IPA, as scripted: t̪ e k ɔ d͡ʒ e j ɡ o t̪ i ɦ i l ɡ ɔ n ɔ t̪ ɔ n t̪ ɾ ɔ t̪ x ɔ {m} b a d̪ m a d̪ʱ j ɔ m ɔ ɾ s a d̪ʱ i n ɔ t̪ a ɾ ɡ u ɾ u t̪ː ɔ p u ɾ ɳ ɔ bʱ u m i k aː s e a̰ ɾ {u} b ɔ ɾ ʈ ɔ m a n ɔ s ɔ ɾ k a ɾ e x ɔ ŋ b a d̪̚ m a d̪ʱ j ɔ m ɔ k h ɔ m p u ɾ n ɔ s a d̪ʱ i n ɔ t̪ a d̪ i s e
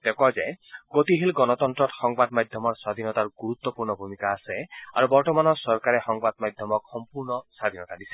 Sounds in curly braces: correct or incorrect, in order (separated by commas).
incorrect, correct